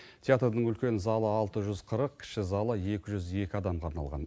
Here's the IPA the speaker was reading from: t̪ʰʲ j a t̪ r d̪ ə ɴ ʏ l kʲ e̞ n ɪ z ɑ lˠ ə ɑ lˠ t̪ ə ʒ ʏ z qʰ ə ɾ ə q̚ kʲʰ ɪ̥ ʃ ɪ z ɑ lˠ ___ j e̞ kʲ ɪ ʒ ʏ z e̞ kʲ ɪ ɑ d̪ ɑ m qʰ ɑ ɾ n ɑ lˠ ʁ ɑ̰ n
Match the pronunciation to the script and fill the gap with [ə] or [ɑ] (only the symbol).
ə